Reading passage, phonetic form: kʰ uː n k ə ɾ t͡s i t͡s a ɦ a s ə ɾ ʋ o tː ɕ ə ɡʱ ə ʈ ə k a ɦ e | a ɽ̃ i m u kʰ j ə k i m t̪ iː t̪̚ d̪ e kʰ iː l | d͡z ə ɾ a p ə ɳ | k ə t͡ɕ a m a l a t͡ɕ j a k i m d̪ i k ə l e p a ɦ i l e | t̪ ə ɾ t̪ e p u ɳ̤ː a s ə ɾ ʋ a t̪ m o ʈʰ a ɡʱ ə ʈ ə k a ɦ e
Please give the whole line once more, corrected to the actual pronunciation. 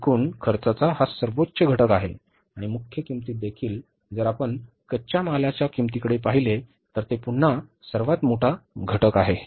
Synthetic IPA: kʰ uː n kʰ ə ɾ t͡s a t͡s a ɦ a s ə ɾ ʋ o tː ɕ ə ɡʱ ə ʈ ə k a ɦ e | a ɽ̃ i m u kʰ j ə k i m t̪ iː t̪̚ d̪ e kʰ iː l | d͡z ə ɾ a p ə ɳ | k ə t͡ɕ a m a l a t͡ɕ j a k i m t̪ i k ə ɽ e p a ɦ i l e | t̪ ə ɾ t̪ e p u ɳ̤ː a s ə ɾ ʋ a t̪ m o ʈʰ a ɡʱ ə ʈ ə k a ɦ e